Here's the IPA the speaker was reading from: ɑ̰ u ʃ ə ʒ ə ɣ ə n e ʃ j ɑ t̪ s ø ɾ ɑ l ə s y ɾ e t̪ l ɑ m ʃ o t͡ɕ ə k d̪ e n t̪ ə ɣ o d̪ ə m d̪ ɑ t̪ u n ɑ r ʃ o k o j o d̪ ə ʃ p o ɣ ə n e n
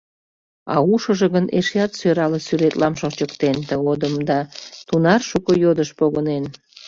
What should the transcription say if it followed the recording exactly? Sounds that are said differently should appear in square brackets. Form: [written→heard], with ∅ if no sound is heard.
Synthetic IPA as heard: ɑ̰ u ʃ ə ʒ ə ɣ ə n e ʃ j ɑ t̪ s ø ɾ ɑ l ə s y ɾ e t̪ l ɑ m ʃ o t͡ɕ ə k [d̪→t̪] e n t̪ ə ɣ o d̪ ə m d̪ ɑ t̪ u n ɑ r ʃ [o→u] k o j o d̪ ə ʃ p o ɣ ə n e n